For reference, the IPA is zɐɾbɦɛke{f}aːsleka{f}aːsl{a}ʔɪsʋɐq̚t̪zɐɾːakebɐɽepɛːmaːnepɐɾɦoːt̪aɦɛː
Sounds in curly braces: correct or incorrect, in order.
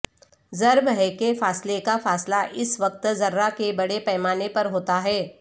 correct, correct, correct

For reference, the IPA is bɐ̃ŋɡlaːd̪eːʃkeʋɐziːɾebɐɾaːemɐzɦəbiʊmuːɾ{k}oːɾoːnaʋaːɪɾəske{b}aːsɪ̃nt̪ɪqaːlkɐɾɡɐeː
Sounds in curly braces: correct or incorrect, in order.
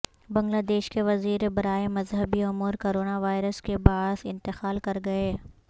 correct, correct

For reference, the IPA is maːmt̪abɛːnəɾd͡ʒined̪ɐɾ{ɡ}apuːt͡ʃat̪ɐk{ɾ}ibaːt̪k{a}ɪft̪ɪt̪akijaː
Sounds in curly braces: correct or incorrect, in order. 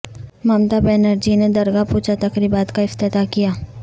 correct, correct, correct

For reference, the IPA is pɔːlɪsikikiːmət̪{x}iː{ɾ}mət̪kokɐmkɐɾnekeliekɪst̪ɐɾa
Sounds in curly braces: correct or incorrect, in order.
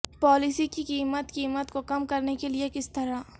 incorrect: k, incorrect: none

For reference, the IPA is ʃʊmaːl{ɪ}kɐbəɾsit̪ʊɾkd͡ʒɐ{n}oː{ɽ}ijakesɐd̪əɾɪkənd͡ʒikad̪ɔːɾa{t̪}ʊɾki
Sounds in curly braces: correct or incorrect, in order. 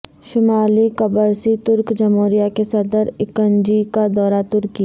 incorrect: i, incorrect: m, incorrect: ɾ, correct

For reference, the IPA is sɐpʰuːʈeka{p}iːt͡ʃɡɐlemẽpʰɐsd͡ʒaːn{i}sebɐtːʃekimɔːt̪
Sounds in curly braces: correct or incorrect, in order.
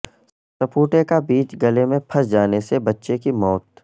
incorrect: b, incorrect: e

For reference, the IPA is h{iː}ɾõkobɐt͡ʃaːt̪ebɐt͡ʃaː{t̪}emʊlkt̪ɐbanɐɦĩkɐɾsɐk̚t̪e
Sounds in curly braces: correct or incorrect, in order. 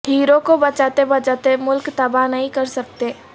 correct, correct

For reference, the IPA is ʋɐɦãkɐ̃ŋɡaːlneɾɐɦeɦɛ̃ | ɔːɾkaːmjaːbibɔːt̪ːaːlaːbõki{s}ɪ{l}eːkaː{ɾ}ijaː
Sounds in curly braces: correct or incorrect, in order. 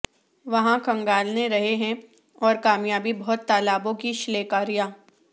incorrect: ʃ, correct, correct

